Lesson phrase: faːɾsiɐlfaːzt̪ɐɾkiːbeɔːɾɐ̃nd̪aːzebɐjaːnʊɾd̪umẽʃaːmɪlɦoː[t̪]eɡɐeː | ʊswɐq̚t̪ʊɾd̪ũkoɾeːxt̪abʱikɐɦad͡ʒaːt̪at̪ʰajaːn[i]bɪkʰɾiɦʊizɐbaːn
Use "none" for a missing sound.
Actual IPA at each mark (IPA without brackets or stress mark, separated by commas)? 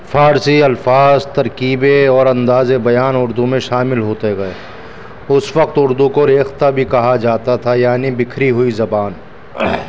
t̪, i